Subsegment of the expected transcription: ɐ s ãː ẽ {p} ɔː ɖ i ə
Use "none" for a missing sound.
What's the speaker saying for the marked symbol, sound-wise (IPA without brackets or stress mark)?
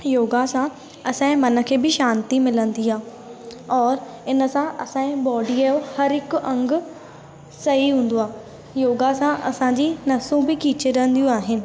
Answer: b